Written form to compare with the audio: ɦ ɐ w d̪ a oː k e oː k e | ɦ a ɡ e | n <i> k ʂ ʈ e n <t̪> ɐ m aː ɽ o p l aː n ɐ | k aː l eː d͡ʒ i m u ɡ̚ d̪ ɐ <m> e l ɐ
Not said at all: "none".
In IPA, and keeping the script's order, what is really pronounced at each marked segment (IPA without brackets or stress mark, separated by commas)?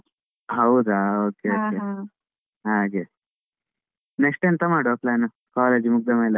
e, t̪, m